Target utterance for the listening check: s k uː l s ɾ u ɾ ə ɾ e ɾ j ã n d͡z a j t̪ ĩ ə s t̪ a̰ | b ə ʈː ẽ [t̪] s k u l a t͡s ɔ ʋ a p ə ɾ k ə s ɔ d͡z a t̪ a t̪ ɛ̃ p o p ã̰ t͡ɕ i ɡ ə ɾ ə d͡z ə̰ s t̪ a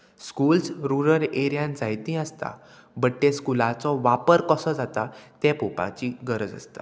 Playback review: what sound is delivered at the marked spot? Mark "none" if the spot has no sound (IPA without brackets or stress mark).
none